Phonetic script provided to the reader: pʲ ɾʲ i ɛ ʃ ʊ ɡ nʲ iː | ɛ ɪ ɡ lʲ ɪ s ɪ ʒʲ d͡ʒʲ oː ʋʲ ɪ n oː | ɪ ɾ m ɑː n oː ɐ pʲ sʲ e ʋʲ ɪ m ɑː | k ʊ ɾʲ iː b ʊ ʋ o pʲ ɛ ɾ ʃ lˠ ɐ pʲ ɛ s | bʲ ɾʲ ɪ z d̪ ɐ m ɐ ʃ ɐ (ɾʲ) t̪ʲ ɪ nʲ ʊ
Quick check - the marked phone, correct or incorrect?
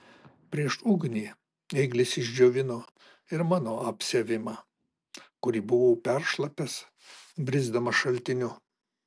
incorrect